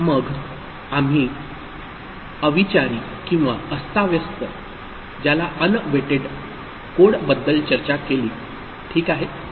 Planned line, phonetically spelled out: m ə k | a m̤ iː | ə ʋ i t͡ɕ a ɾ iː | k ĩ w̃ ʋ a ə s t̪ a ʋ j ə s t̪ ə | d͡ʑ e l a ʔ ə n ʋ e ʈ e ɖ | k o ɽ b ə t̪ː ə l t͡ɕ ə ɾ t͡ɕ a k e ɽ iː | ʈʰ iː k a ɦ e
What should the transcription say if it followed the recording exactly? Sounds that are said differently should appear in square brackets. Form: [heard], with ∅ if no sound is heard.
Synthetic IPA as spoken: m ə [ɡ] | a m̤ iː | ə ʋ i t͡ɕ a ɾ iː | k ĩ w̃ ʋ a ə s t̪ a ʋ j ə s t̪ ə | d͡ʑ [a] l a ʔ ə n ʋ e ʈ e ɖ | k o ɽ b ə [d̪ː] ə l t͡ɕ ə ɾ t͡ɕ a k e [l] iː | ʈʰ iː k a ɦ e